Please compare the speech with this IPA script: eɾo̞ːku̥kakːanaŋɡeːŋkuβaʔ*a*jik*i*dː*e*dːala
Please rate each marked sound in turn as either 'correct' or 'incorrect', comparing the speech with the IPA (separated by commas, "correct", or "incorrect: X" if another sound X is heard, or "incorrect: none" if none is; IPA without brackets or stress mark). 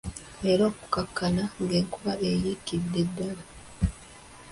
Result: incorrect: e, correct, correct